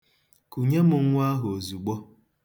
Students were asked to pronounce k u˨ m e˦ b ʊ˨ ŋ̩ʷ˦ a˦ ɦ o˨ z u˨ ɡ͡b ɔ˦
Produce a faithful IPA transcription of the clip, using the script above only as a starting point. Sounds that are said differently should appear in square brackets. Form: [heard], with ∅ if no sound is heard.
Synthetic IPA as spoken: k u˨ [ɲ] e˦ [m] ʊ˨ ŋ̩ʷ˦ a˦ ɦ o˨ z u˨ ɡ͡b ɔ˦